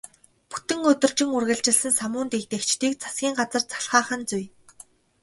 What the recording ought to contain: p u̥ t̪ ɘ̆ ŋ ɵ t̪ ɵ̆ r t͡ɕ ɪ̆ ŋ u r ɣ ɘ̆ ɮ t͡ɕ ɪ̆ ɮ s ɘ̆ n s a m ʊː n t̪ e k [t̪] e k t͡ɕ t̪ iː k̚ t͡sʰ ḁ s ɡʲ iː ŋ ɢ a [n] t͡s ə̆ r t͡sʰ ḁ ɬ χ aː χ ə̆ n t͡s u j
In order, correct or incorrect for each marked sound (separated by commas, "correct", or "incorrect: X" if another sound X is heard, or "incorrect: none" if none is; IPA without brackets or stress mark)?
correct, incorrect: none